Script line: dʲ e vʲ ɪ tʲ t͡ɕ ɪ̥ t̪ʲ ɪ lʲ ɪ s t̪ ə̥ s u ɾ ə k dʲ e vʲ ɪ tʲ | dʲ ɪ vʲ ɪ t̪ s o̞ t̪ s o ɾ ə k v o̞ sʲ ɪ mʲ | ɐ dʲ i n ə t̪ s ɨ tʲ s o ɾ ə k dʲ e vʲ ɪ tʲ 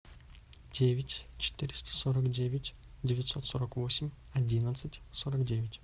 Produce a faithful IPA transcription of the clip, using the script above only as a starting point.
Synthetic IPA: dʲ e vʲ ɪ tʲ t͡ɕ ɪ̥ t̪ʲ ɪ ɾʲ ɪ s t̪ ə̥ s o ɾ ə k dʲ e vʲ ɪ tʲ | dʲ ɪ vʲ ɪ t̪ s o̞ t̪ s o ɾ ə k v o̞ sʲ ɪ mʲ | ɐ dʲ i n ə t̪ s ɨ tʲ s o ɾ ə k dʲ e vʲ ɪ tʲ